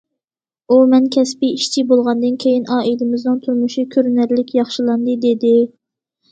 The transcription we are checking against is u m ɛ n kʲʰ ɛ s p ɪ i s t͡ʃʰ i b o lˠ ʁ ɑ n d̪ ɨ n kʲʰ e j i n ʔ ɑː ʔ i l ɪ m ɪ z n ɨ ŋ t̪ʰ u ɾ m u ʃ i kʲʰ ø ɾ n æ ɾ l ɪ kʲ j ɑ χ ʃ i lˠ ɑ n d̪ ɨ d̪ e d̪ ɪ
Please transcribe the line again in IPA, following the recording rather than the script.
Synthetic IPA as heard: u m ɛ n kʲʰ ɛ s p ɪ i ʃ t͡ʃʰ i b o lˠ ʁ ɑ n d̪ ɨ n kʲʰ e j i n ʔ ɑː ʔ i l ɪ m ɪ z n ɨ ŋ t̪ʰ u ɾ m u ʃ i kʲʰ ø ɾ n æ ɾ l ɪ kʲ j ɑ χ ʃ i lˠ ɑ n d̪ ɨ d̪ e d̪ ɪ